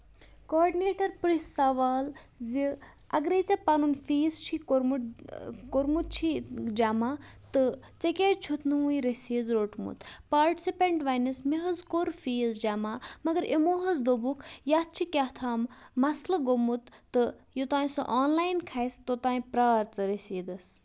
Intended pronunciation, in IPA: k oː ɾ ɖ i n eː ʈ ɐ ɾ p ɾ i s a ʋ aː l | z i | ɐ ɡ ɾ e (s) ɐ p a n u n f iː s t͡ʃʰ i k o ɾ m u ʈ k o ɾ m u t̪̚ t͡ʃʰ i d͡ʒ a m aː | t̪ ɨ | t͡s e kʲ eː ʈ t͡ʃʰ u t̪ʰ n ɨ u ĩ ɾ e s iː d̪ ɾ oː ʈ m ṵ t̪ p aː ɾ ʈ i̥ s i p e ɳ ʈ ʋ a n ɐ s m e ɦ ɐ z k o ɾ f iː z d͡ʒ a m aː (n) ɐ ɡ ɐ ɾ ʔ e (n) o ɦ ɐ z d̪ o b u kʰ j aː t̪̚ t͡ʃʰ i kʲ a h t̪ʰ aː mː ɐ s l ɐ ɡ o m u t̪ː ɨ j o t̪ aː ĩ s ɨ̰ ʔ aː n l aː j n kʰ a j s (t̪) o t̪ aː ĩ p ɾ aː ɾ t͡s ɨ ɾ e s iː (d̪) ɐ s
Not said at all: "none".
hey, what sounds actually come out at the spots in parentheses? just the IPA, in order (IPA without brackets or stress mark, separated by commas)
t͡s, m, m, t̪, d̪